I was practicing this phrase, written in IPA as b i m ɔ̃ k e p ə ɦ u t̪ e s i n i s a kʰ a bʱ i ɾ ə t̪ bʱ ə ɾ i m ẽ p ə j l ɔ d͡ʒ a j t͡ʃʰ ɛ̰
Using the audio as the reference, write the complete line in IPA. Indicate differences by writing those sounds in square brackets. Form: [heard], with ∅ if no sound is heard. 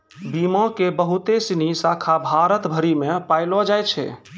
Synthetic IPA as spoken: b i m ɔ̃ k e [b] ə ɦ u t̪ e s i n i s a kʰ a bʱ [a] ɾ ə t̪ bʱ ə ɾ i m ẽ p [a] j l ɔ d͡ʒ a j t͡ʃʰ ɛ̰